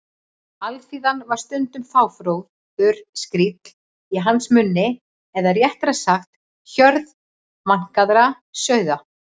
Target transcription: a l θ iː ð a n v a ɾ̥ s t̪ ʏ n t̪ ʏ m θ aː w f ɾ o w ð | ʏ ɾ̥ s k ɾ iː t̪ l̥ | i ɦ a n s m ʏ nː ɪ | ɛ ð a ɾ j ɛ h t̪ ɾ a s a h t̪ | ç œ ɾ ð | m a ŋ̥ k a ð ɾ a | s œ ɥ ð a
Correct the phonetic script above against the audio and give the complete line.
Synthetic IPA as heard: a l f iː ð a n v a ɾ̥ s t̪ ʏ n t̪ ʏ m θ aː w f ɾ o w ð | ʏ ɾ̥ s k ɾ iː t̪ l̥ | i ɦ a n s m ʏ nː ɪ | ɛ ð a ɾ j ɛ h t̪ ɾ a s a x t̪ | ç œ ɾ ð | m a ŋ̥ k a ð ɾ a | s œ ɥ ð a